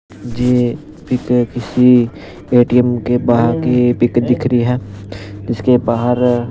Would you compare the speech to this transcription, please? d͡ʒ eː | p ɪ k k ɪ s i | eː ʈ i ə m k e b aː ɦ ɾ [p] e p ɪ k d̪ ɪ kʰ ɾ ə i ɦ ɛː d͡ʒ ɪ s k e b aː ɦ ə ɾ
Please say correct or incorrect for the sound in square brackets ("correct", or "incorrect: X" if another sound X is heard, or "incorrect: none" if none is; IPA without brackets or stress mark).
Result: incorrect: k